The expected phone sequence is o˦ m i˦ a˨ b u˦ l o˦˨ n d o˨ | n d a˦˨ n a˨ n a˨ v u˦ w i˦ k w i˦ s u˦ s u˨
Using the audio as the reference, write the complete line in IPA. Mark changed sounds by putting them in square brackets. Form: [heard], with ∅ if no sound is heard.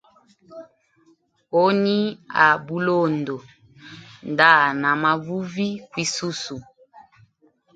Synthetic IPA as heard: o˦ [n] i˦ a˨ b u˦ l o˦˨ n d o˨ | n d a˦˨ n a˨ [m] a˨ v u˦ [v] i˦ k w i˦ s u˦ s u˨